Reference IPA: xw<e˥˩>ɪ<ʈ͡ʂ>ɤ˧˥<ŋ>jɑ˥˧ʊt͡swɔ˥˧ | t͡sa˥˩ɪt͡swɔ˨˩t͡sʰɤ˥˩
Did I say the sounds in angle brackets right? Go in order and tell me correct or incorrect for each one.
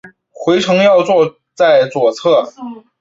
incorrect: e˧˥, incorrect: ʈ͡ʂʰ, correct

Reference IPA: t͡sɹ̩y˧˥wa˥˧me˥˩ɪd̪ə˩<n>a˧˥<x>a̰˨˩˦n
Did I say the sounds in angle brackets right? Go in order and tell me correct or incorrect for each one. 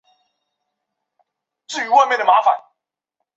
incorrect: m, incorrect: f

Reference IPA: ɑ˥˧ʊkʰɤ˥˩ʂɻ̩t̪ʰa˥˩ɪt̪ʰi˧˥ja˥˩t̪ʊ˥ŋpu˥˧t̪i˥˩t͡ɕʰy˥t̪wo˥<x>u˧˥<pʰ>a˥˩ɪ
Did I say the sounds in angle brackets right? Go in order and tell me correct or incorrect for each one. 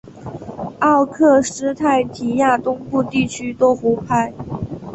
correct, correct

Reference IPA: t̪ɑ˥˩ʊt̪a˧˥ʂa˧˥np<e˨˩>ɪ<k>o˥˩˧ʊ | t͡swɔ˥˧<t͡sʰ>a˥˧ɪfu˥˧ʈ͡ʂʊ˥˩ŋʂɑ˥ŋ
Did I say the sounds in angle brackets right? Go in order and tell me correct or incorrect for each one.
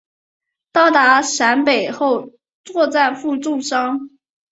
correct, incorrect: x, incorrect: t͡s

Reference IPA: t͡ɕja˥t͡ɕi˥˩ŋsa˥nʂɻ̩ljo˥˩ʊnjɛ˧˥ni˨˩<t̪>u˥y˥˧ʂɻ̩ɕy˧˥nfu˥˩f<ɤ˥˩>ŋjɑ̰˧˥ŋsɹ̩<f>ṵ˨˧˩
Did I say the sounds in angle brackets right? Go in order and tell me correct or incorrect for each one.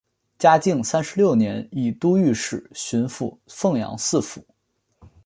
correct, correct, correct

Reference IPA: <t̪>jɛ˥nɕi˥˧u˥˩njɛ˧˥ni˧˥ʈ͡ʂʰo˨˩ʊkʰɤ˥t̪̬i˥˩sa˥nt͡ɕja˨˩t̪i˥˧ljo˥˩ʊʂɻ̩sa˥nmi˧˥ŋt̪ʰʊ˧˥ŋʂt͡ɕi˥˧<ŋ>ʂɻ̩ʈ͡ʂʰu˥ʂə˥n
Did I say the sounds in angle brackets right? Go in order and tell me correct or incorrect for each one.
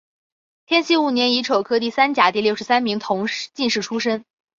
incorrect: t̪ʰ, incorrect: n

